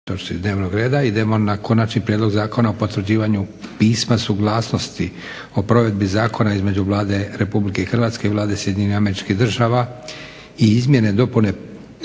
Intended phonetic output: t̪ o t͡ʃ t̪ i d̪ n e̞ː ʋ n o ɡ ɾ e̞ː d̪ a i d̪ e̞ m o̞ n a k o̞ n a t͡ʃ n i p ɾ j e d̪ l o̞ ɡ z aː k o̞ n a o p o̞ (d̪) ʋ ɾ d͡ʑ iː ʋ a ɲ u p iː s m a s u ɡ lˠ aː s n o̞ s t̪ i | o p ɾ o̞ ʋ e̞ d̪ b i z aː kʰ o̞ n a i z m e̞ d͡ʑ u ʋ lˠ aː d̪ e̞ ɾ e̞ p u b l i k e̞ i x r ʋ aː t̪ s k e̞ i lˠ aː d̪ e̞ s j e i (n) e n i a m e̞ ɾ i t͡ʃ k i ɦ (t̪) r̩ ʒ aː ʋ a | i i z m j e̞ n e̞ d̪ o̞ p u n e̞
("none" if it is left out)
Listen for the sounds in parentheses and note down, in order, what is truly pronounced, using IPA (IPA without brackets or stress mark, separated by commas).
t̪, ɲ, d̪